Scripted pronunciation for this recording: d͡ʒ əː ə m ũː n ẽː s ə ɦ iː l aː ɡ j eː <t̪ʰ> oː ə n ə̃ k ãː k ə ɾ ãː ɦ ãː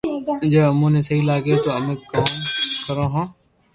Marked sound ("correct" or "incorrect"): incorrect